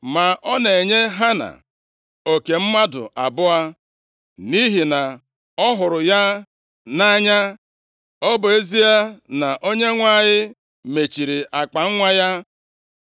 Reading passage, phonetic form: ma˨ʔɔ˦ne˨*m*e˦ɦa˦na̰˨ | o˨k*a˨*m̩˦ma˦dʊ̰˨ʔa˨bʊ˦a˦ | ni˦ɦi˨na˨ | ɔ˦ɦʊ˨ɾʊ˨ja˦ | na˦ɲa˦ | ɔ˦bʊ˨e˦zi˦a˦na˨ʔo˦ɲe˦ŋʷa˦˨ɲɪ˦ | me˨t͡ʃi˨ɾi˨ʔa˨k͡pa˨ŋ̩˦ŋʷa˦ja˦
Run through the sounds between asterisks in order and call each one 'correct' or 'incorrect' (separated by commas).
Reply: incorrect, incorrect